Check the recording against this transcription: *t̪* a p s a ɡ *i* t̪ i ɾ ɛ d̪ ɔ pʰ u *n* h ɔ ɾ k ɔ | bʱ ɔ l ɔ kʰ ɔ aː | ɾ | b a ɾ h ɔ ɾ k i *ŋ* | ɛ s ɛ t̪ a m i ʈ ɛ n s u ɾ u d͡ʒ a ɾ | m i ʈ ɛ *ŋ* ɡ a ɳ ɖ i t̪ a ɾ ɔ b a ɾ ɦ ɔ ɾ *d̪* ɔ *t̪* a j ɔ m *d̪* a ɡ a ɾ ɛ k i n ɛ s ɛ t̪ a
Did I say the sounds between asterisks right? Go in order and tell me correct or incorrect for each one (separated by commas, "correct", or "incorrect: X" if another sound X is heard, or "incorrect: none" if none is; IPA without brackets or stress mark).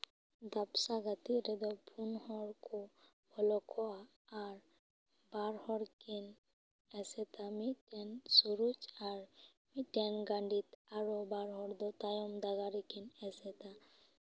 incorrect: d̪, incorrect: a, correct, incorrect: n, incorrect: n, correct, correct, correct